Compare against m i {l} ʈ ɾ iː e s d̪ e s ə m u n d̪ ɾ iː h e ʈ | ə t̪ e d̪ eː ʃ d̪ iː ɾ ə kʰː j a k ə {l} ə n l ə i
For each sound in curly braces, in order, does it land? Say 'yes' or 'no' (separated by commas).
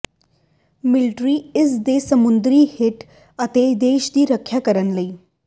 yes, no